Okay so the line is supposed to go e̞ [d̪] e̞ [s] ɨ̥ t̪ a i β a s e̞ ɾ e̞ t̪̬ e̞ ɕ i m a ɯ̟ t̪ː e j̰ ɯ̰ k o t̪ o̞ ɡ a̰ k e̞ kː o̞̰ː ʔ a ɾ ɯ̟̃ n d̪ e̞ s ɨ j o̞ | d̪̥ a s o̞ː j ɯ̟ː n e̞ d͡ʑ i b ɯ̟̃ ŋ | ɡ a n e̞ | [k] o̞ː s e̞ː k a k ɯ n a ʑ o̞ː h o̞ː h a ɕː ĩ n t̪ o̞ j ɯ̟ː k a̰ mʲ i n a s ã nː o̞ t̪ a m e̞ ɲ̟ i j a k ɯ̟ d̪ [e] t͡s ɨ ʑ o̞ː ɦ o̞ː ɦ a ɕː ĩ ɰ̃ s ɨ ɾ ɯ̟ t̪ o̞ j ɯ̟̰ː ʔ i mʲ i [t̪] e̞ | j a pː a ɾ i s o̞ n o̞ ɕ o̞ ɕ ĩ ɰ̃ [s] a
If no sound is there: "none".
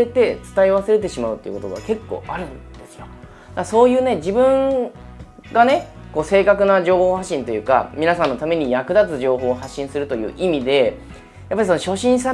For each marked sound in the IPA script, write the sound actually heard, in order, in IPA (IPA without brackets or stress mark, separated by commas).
t̪, t͡s, k, a, d̪, s